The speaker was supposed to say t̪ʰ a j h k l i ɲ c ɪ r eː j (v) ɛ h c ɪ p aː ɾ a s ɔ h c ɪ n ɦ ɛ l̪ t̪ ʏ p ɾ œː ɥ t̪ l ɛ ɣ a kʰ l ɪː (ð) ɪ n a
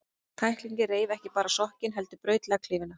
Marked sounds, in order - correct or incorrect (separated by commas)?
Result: correct, incorrect